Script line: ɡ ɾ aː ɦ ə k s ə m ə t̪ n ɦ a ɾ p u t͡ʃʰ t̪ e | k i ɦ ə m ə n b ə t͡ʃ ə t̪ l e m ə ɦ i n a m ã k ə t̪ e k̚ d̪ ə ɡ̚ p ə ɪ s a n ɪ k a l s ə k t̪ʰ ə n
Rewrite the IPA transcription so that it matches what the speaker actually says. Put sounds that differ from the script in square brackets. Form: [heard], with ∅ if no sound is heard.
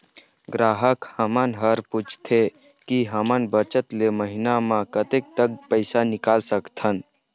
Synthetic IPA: ɡ ɾ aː ɦ ə k [h] ə m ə [∅] n ɦ [ə] ɾ p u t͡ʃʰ [t̪ʰ] e | k i ɦ ə m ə n b ə t͡ʃ ə t̪ l e m ə ɦ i n a m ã k ə t̪ e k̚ [t̪] ə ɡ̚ p ə ɪ s a n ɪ k a l s ə k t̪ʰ ə n